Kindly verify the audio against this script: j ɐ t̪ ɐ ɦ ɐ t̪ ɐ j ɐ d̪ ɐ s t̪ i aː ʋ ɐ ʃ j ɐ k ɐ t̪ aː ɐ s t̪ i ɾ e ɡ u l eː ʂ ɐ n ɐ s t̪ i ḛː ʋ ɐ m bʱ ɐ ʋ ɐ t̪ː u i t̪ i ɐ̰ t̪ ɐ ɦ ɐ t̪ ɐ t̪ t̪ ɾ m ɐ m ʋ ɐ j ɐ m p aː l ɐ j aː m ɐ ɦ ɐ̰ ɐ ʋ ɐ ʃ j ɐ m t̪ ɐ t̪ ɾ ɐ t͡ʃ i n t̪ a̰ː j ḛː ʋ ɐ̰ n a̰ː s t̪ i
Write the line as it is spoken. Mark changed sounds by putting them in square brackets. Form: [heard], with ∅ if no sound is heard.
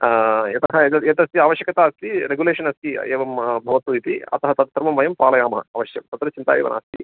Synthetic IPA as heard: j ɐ t̪ ɐ ɦ ɐ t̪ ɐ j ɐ [t̪] ɐ s t̪ i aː ʋ ɐ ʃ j ɐ k ɐ t̪ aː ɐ s t̪ i ɾ e ɡ u l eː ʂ ɐ n ɐ s t̪ i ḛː ʋ ɐ m bʱ ɐ ʋ ɐ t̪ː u i t̪ i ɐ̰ t̪ ɐ ɦ ɐ t̪ ɐ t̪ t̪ ɾ m ɐ m ʋ ɐ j ɐ m p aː l ɐ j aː m ɐ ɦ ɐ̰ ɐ ʋ ɐ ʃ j ɐ m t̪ ɐ t̪ ɾ ɐ t͡ʃ i n t̪ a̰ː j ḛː ʋ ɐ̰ n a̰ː s t̪ i